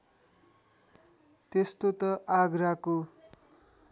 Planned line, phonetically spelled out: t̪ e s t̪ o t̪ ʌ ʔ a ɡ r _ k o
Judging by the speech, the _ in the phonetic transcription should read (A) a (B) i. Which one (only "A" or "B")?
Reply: A